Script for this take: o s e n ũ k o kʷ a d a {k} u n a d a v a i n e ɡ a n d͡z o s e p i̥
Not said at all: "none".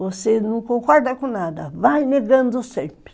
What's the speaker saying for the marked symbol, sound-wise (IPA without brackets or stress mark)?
k